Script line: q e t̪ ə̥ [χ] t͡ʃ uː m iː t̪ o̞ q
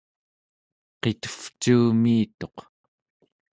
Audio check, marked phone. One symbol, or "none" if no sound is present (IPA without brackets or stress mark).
f